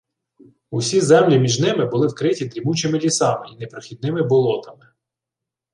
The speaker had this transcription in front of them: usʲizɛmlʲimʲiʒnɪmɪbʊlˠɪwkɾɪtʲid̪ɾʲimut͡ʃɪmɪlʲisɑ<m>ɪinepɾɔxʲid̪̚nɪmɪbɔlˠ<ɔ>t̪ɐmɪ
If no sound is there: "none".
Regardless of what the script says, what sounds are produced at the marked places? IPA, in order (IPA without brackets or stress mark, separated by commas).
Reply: m, ɔ